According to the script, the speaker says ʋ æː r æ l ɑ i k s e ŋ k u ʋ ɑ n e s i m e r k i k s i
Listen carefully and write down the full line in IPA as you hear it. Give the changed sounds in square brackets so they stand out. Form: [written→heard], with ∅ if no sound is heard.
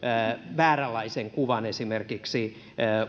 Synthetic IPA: ʋ æː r æ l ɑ i [k→∅] s e ŋ k u ʋ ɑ n e s i m e r k i k s i